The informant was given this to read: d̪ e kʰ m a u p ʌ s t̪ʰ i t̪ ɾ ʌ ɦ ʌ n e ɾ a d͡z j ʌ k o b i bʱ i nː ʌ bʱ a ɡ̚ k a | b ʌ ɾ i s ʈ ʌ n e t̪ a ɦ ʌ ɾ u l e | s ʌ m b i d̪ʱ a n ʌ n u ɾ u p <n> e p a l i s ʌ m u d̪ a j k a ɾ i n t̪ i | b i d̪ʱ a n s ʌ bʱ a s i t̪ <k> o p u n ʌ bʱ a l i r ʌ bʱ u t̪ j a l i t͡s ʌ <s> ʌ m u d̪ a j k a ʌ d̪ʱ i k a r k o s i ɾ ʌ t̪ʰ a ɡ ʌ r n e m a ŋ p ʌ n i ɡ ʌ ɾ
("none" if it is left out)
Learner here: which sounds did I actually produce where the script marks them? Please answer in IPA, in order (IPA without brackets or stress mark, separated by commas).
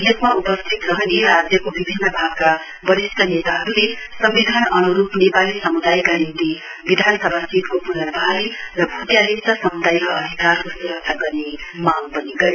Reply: n, k, s